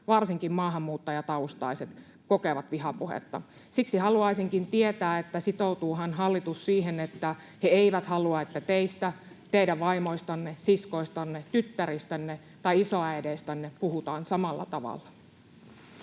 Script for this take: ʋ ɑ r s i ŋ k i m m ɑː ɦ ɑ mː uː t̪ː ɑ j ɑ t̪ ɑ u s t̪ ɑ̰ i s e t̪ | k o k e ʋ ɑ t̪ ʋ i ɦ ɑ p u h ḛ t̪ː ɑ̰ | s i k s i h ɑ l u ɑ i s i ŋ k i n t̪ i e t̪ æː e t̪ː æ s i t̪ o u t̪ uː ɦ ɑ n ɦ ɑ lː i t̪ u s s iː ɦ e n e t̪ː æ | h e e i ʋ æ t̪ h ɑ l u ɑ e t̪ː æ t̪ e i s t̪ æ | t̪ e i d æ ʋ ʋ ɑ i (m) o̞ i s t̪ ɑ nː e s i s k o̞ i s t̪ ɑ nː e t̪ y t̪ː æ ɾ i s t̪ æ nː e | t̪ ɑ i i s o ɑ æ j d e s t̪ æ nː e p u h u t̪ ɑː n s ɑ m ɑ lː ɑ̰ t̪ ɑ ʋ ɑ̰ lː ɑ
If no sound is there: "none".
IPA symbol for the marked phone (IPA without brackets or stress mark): m